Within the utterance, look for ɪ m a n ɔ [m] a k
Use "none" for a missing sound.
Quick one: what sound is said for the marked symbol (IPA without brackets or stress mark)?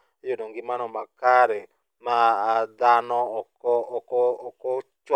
m